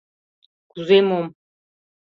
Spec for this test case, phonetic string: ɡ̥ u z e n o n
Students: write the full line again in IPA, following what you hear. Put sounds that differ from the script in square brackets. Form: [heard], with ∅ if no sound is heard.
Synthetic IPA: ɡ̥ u z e [m] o [m]